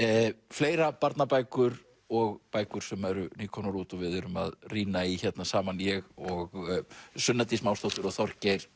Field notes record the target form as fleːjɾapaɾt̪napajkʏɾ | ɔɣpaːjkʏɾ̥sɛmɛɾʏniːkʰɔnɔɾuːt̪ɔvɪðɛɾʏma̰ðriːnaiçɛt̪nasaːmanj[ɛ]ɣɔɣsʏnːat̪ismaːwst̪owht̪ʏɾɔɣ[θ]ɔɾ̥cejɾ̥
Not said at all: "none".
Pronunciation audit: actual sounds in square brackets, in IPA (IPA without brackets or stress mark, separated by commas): ɛ, θ